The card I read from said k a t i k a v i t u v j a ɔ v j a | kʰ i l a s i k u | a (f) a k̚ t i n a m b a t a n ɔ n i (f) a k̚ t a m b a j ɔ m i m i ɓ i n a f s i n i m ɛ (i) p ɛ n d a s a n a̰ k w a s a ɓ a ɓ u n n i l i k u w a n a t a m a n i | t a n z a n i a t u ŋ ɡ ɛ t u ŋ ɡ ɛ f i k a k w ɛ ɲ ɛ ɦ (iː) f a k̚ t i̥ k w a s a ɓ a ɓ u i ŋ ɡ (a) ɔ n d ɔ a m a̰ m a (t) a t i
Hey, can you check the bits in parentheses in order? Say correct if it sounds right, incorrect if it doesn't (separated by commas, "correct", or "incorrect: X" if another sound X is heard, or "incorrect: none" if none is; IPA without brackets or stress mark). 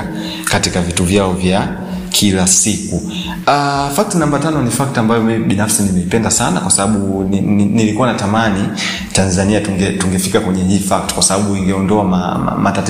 correct, correct, correct, correct, incorrect: ɛ, correct